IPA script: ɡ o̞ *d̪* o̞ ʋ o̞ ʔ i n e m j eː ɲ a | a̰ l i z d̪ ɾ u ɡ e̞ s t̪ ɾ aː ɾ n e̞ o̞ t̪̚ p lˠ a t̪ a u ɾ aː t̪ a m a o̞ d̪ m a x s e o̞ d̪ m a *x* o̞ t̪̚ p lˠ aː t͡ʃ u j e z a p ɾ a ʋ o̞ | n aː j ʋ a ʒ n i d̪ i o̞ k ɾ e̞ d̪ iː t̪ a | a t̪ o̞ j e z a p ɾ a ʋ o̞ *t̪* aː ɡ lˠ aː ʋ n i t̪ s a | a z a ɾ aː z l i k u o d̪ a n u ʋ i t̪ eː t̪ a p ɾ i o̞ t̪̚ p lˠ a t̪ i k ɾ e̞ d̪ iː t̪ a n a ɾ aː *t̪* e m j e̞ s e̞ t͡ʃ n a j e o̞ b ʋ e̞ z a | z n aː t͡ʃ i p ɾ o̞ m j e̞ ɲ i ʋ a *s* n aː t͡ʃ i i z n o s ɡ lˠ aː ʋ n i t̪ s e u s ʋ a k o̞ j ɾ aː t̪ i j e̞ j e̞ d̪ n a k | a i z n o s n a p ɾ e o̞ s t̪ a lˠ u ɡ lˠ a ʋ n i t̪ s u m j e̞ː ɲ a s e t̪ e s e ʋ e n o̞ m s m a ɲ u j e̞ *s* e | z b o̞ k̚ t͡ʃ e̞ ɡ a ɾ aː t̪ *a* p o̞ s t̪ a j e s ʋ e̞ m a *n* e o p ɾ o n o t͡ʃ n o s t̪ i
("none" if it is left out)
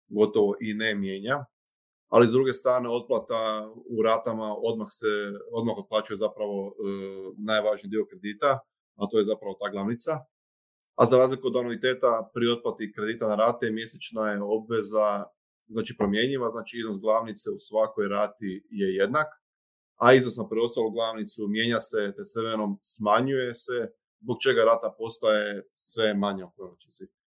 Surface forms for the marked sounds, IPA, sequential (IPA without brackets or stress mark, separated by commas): t̪, x, t̪, t̪, z, s, a, ɲ